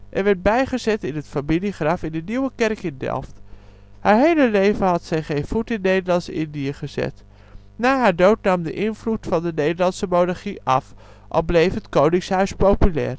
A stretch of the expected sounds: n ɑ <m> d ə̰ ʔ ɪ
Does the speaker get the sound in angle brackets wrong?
no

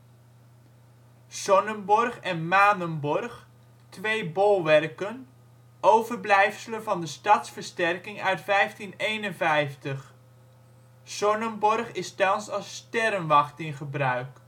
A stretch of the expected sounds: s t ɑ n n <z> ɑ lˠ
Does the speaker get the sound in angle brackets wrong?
yes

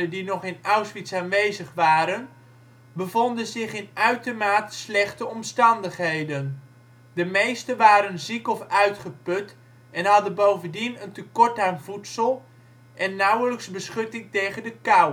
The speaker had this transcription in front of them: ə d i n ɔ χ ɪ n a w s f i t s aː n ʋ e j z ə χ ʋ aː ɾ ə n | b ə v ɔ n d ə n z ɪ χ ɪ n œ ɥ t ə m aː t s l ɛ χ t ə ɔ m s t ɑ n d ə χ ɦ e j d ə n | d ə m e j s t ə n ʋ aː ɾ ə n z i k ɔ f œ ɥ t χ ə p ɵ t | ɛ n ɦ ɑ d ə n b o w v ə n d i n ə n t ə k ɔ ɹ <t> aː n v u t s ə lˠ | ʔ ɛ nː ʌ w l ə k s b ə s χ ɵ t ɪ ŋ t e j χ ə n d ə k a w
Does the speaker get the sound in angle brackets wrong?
no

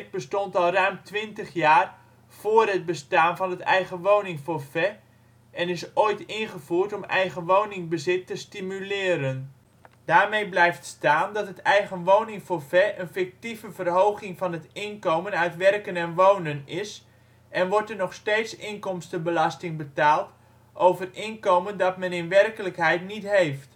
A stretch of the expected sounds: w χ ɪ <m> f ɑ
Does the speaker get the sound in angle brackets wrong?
yes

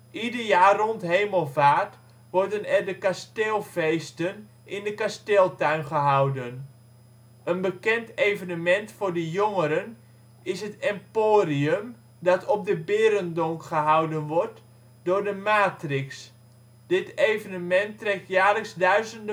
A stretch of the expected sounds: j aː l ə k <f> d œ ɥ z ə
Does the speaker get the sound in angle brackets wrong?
yes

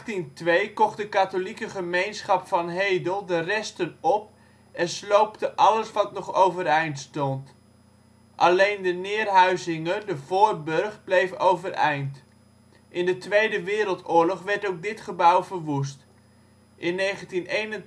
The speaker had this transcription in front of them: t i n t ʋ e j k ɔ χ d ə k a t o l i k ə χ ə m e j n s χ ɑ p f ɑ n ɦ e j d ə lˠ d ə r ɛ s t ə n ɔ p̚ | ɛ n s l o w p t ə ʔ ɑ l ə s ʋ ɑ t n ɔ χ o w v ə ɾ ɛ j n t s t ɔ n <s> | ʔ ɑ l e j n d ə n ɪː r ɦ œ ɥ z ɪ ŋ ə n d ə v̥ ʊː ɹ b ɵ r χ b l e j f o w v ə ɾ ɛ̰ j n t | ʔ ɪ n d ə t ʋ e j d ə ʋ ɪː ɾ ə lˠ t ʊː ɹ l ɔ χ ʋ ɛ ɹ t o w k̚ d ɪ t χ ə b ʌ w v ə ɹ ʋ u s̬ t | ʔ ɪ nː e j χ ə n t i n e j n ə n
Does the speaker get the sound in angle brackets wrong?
yes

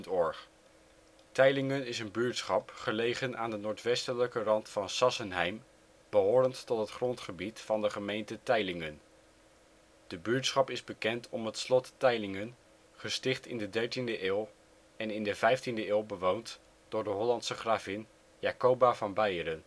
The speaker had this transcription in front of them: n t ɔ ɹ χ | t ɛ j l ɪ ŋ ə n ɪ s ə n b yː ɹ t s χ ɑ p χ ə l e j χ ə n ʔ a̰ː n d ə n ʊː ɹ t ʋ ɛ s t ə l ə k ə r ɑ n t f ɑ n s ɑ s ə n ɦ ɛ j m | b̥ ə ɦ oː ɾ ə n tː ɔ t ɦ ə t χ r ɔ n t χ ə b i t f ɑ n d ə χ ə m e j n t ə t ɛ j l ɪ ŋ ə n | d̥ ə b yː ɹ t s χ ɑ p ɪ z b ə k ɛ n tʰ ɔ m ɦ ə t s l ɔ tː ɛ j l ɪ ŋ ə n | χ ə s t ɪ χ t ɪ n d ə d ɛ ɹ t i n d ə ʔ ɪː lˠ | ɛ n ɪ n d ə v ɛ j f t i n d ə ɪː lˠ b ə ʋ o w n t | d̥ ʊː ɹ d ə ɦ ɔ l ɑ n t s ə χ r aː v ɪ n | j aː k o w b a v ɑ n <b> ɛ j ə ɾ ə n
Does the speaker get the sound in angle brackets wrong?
no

